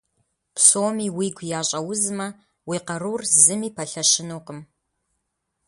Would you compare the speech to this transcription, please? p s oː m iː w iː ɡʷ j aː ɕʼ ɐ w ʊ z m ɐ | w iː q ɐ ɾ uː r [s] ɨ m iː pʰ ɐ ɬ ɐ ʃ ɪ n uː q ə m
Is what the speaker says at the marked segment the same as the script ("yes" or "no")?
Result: no